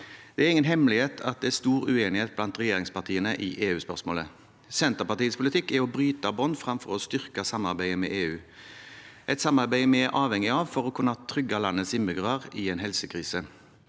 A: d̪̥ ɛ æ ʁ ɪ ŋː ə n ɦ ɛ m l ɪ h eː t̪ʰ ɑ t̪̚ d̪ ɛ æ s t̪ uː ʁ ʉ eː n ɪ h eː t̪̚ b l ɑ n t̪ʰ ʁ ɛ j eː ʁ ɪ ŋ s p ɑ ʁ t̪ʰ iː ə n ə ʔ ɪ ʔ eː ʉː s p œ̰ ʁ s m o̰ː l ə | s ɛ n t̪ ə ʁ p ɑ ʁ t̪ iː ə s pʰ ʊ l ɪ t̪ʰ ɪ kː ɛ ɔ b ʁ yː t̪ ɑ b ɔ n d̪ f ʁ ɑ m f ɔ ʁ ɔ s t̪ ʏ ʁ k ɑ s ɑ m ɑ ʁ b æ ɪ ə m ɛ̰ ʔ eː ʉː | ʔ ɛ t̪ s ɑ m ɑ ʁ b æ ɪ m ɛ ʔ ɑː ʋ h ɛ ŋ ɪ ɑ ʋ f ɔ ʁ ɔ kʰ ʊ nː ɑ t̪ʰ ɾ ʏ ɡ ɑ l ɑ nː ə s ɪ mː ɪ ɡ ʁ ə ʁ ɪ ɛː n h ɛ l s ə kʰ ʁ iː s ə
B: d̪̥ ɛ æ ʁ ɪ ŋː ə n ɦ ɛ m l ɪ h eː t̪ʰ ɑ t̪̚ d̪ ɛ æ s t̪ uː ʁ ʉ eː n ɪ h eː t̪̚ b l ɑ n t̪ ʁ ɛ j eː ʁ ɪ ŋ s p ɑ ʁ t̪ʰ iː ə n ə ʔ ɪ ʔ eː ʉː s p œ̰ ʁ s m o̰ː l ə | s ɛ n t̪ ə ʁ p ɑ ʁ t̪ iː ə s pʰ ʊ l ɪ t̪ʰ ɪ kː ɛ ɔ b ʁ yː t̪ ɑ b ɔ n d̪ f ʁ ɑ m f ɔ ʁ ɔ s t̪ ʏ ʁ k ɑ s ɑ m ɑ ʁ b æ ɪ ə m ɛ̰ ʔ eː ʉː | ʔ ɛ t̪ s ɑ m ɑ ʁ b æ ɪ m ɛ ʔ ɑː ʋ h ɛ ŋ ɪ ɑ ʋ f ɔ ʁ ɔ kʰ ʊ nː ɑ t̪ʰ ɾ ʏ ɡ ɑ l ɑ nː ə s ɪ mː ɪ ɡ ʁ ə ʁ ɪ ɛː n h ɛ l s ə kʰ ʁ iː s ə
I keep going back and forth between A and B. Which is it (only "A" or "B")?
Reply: B